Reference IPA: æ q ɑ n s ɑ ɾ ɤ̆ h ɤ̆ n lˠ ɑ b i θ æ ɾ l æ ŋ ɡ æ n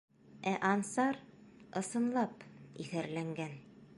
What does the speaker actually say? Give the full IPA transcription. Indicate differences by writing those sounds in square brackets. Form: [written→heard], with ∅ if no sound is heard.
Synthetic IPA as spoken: æ [q→ʔ] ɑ n s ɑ ɾ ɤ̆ [h→s] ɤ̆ n lˠ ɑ [b→p] i θ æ ɾ l æ ŋ ɡ æ n